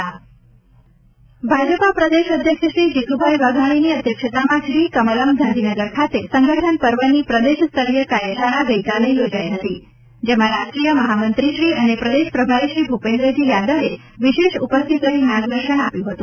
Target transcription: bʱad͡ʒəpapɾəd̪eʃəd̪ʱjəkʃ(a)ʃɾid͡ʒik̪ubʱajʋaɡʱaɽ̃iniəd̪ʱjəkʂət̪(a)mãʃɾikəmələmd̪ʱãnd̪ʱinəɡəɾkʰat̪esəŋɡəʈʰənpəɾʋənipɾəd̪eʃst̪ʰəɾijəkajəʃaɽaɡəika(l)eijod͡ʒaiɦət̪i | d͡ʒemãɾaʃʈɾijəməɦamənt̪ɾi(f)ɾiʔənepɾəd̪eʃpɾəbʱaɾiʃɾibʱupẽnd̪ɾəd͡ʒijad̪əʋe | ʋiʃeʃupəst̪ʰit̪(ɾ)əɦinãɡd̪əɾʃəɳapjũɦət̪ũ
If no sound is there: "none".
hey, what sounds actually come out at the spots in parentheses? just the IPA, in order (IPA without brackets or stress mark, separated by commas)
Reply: ə, a, l, ʃ, l